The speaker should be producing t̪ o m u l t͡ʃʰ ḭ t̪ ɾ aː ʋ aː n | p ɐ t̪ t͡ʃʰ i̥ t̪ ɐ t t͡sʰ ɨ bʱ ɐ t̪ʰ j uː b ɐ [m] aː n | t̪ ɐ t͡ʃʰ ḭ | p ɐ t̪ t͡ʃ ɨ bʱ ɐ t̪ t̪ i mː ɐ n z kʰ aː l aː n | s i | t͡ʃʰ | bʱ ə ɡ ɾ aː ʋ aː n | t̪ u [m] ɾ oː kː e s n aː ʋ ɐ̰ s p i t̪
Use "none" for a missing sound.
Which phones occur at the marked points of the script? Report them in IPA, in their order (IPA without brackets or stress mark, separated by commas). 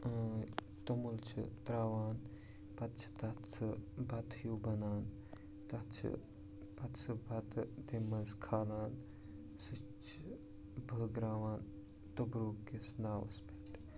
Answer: n, b